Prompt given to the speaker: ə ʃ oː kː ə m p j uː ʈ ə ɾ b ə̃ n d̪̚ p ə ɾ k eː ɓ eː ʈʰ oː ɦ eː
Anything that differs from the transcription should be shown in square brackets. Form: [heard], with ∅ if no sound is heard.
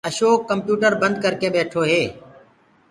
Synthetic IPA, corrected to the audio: ə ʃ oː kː ə m p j uː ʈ ə ɾ b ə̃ n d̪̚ [k] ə ɾ k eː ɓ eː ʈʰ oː ɦ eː